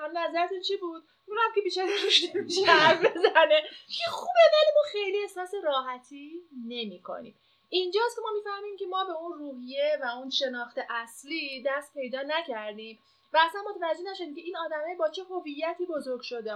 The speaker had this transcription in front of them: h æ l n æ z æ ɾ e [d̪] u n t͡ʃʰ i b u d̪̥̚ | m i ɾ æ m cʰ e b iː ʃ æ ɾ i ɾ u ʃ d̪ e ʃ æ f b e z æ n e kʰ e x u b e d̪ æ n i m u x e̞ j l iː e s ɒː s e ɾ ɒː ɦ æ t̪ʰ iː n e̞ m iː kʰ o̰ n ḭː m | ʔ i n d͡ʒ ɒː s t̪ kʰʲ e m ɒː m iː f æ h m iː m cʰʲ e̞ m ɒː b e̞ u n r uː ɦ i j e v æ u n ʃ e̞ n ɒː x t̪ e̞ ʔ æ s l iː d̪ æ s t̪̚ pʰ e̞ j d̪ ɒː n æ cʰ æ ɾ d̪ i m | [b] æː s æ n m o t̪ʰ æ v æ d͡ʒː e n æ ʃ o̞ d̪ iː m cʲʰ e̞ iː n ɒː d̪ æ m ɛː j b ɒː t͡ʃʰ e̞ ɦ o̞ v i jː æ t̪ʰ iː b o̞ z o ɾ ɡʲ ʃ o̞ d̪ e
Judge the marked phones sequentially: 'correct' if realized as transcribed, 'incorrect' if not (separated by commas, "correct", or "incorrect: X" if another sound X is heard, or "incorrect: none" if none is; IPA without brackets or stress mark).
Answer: incorrect: t̪, incorrect: v